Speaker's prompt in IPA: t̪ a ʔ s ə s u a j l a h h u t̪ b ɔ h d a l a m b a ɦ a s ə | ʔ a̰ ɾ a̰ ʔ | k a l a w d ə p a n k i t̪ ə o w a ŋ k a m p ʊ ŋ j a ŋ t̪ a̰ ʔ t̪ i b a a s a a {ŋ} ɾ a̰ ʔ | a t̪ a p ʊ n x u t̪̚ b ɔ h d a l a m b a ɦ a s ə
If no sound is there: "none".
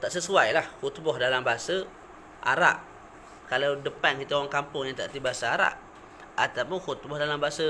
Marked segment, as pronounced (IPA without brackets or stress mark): none